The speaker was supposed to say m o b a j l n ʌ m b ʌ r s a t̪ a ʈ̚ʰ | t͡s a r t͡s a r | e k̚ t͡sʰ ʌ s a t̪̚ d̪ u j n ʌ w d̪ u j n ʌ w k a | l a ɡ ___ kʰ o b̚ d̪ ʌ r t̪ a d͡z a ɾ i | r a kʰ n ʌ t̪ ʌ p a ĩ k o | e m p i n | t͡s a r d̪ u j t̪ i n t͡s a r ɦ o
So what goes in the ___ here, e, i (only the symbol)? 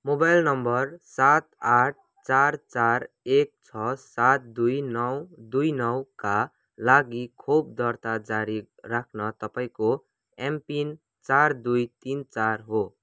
i